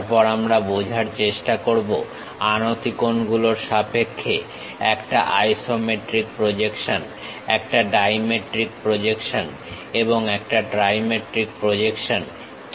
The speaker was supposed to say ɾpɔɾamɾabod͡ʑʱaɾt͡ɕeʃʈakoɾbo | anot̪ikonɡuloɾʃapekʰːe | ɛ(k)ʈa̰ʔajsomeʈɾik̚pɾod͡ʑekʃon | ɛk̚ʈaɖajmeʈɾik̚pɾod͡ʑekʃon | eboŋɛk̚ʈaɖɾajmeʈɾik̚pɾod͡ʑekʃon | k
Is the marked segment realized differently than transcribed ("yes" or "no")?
no